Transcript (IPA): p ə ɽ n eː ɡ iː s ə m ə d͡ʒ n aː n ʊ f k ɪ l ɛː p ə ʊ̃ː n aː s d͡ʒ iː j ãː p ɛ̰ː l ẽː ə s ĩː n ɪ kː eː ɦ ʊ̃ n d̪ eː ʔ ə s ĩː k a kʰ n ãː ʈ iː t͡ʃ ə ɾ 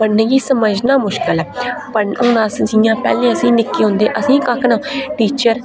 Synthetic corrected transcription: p ə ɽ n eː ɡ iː s ə m ə d͡ʒ n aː m ʊ ʃ k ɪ l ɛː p ə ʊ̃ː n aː s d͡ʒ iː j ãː p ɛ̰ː l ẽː ə s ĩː n ɪ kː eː ɦ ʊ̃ n d̪ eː ʔ ə s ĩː k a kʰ n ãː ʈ iː t͡ʃ ə ɾ